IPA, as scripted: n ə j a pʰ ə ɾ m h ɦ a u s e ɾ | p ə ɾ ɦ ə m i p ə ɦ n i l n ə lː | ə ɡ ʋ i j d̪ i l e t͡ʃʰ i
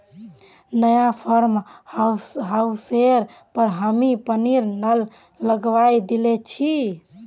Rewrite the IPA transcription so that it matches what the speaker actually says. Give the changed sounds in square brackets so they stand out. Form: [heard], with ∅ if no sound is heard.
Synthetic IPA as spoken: n ə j a pʰ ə ɾ m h ɦ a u s e ɾ | p ə ɾ ɦ ə m i p ə [∅] n i [ɾ] n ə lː | ə ɡ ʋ [a] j d̪ i l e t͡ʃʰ i